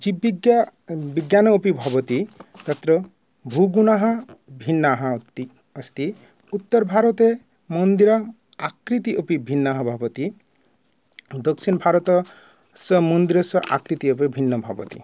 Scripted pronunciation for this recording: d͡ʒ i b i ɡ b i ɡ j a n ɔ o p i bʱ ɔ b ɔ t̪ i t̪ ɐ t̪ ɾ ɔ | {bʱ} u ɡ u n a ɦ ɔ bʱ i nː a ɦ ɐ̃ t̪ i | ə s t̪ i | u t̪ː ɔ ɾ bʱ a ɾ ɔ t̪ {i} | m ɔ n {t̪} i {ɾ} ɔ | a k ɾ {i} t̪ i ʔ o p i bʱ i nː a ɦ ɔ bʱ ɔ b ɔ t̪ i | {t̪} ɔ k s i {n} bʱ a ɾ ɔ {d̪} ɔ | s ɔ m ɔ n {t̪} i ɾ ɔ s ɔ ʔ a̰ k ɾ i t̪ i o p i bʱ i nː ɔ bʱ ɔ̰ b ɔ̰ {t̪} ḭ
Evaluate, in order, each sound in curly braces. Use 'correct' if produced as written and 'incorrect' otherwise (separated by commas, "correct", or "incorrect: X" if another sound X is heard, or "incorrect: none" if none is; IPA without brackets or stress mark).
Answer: correct, incorrect: e, incorrect: d̪, correct, correct, incorrect: d̪, correct, incorrect: t̪, incorrect: d̪, correct